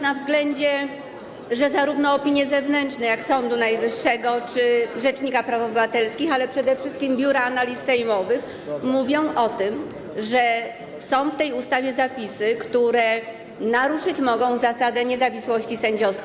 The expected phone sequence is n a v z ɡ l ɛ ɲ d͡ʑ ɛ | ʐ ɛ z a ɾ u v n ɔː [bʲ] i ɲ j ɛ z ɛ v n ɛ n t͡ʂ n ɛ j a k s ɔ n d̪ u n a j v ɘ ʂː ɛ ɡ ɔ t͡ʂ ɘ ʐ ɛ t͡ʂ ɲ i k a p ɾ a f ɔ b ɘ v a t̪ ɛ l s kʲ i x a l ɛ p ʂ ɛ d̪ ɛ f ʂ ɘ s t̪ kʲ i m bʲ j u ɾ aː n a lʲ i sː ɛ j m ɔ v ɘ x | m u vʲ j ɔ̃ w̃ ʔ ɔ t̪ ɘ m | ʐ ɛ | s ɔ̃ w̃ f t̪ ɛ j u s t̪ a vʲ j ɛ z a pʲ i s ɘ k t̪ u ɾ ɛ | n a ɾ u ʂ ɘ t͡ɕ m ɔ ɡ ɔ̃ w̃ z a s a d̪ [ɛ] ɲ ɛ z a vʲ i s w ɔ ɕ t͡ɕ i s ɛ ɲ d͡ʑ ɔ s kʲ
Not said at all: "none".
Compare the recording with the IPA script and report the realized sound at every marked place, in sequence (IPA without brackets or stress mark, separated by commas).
pʲ, ɛ